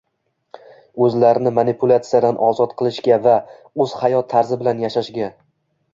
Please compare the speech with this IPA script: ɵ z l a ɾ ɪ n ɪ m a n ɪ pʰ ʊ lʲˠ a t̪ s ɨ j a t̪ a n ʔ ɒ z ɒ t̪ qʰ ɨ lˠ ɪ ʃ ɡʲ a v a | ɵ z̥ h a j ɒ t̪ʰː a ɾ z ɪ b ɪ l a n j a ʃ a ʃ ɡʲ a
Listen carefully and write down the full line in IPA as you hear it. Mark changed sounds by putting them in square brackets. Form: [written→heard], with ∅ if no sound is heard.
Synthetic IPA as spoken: ɵ z l a ɾ ɪ n ɪ m a n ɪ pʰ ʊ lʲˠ a t̪ s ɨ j a [t̪→d̪] a n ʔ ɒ z ɒ t̪ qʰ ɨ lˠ ɪ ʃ ɡʲ a v a | ɵ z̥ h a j ɒ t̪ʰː a ɾ z ɪ b ɪ l a n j a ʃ a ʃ ɡʲ a